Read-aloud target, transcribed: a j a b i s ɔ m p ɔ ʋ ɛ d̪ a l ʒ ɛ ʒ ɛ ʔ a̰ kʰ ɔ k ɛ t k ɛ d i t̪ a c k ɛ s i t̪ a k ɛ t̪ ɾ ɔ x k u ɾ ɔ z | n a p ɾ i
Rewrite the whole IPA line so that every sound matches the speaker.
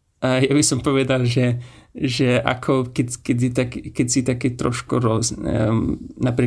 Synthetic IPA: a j a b i s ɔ m p ɔ ʋ ɛ d̪ a l ʒ ɛ ʒ ɛ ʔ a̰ kʰ ɔ k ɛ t k ɛ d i t̪ a k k ɛ s i t̪ a k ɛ t̪ ɾ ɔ ʃ k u ɾ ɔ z | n a p ɾ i